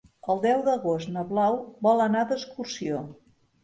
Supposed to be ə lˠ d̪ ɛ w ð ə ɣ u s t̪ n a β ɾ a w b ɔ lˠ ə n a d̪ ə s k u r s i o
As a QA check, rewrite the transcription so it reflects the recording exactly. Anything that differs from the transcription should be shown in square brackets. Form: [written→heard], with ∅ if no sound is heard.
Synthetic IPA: ə lˠ d̪ ɛ w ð ə ɣ [u→o] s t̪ n [a→ə] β [ɾ→l] a w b ɔ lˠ ə n a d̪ ə s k u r s i o